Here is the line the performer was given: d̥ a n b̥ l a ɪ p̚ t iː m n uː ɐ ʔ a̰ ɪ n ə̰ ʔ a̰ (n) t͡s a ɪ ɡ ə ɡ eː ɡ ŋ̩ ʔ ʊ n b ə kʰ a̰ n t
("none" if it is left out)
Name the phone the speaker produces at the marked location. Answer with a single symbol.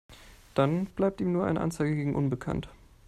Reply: n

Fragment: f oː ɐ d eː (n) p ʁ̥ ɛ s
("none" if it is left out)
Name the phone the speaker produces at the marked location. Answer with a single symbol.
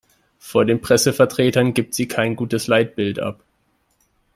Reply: n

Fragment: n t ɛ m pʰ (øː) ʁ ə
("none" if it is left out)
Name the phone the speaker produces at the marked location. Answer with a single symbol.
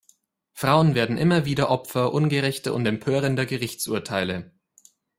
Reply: øː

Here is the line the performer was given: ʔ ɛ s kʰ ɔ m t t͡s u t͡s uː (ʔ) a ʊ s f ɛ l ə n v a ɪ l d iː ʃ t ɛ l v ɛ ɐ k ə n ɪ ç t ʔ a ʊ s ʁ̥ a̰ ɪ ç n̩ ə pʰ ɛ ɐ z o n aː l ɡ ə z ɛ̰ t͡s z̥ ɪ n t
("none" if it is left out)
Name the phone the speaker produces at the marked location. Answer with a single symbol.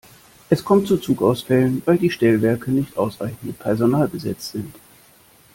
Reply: k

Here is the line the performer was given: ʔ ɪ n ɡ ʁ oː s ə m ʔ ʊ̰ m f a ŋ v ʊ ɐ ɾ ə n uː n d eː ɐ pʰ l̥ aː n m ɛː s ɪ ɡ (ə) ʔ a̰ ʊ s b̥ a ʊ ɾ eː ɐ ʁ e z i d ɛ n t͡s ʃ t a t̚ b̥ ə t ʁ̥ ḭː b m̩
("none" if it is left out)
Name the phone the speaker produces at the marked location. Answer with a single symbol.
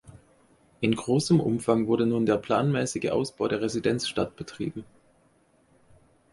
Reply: ə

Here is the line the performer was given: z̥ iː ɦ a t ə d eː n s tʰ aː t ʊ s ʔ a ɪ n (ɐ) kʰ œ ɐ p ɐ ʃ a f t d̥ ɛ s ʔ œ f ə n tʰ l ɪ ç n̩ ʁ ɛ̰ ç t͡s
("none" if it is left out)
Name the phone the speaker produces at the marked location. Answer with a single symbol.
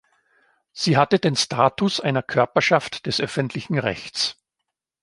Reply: ɐ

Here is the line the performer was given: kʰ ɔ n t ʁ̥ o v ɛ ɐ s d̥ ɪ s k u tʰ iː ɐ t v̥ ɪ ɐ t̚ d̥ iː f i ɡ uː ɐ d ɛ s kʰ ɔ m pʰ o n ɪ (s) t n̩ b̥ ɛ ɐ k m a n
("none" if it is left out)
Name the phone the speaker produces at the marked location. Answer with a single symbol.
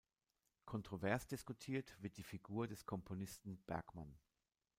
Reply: s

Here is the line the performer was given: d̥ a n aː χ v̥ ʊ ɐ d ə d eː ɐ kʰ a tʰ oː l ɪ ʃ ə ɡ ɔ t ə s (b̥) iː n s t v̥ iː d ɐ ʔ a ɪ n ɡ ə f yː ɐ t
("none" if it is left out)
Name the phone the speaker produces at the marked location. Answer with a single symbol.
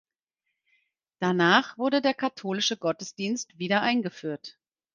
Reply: d̥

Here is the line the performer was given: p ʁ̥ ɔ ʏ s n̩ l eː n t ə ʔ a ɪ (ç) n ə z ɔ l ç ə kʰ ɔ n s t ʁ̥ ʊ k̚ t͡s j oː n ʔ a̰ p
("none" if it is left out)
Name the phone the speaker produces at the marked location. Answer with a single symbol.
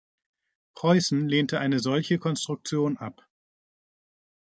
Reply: none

